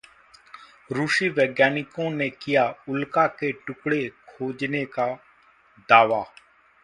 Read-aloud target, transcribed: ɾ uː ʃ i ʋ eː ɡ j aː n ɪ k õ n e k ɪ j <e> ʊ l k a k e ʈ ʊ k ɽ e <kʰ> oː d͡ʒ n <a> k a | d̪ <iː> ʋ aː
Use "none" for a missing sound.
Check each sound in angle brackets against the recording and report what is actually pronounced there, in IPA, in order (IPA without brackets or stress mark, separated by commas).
a, kʰ, e, aː